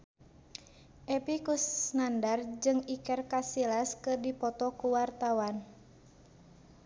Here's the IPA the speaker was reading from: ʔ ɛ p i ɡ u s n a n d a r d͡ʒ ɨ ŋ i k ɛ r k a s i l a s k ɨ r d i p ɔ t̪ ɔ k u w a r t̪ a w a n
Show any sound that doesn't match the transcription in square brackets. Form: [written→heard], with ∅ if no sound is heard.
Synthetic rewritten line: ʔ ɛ p i [ɡ→k] u s n a n d a r d͡ʒ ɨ ŋ i k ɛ r k a s i l a s k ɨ r d i p ɔ t̪ ɔ k u w a r t̪ a w a n